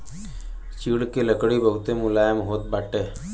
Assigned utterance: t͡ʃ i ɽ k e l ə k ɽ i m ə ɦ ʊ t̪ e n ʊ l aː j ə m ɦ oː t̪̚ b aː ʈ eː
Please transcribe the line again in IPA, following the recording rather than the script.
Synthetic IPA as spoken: t͡ʃ i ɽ k e l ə k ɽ i b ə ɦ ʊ t̪ e m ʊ l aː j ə m ɦ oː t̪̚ b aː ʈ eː